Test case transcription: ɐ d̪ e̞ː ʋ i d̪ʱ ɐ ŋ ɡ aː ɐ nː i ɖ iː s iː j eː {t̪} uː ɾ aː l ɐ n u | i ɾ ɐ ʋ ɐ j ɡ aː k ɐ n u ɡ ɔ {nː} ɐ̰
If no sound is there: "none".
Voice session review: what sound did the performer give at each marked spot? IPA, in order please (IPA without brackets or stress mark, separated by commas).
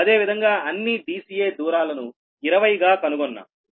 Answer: d̪, nː